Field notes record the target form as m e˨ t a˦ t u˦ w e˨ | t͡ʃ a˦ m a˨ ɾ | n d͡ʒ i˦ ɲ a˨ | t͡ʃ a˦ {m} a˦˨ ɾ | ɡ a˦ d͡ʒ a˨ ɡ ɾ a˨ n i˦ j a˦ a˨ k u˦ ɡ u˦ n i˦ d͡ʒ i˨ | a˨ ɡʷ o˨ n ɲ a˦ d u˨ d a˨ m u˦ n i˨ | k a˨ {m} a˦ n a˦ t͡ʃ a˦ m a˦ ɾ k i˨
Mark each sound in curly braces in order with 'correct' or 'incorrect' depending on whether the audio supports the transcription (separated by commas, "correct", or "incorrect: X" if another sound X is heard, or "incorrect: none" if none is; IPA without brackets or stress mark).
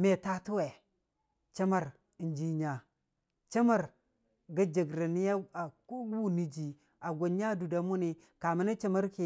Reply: correct, correct